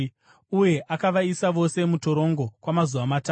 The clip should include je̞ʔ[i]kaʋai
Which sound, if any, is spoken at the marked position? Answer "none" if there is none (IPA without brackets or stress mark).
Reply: a